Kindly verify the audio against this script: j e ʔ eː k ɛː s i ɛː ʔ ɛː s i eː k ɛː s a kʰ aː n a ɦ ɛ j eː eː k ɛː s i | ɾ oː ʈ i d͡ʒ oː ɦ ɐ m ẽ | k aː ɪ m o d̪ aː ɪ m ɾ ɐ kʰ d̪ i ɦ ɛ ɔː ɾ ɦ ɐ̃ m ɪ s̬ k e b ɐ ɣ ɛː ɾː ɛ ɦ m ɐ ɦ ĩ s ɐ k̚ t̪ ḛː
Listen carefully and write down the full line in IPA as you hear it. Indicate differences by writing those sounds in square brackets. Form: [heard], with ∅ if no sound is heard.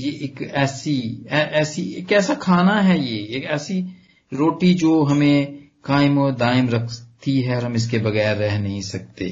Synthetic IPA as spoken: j e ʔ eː k ɛː s i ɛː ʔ ɛː s i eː k ɛː s a kʰ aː n a ɦ ɛ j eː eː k ɛː s i | ɾ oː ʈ i d͡ʒ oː ɦ ɐ m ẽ | k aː ɪ m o d̪ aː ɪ m ɾ ɐ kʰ [t̪] i ɦ ɛ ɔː ɾ ɦ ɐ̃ m ɪ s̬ k e b ɐ ɣ ɛː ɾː ɛ ɦ [n] ɐ ɦ ĩ s ɐ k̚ t̪ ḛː